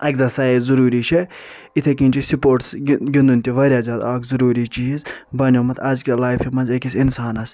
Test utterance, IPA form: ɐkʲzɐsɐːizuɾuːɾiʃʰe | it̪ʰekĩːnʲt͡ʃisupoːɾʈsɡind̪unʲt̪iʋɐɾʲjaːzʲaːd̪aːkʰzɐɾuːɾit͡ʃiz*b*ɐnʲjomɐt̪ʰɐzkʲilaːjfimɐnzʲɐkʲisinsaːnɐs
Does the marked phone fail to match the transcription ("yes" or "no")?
no